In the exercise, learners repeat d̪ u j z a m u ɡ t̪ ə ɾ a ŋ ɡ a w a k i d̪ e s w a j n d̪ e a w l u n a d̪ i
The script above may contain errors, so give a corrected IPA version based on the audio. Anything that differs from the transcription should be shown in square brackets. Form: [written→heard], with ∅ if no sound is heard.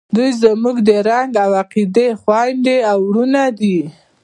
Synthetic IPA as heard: d̪ u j z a m u ɡ [t̪→d̪] ə ɾ a ŋ ɡ a w a [k→q] i d̪ e [s→x] w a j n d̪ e a w [l→ɾ] u n a d̪ i